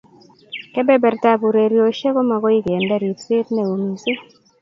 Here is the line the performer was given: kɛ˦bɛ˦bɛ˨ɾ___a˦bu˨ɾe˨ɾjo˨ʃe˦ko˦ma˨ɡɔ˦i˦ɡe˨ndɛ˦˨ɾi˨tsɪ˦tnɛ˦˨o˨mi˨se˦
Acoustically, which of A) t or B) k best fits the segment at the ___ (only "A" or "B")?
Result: A